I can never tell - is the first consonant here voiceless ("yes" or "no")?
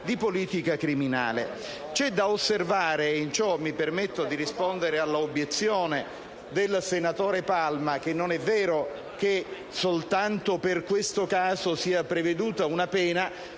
no